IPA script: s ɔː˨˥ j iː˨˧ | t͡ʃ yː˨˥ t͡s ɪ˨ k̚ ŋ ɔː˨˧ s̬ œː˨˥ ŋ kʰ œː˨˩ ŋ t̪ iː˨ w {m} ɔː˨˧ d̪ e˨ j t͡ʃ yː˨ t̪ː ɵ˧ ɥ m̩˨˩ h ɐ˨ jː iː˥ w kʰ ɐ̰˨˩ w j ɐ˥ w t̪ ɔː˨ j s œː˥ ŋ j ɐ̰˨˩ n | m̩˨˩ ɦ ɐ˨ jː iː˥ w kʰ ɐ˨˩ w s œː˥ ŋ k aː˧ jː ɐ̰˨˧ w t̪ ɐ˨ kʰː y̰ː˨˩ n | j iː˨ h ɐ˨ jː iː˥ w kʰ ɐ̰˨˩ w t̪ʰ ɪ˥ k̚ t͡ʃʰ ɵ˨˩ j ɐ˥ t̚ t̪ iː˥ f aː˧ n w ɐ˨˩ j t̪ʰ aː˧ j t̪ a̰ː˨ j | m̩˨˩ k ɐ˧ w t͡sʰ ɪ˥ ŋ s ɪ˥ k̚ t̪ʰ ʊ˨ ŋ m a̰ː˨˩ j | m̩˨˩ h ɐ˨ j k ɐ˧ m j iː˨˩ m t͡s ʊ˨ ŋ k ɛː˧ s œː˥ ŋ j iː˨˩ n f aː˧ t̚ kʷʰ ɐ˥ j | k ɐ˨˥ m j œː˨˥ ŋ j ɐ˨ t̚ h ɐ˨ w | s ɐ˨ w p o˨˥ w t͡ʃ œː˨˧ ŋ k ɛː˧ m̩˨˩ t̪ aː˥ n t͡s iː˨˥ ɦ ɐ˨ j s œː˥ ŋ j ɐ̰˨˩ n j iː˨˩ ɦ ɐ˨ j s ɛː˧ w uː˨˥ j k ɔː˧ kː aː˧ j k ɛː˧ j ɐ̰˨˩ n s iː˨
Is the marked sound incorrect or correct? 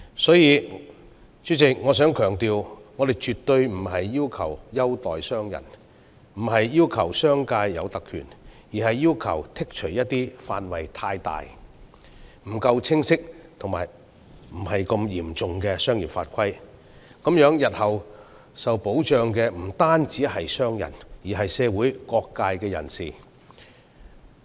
incorrect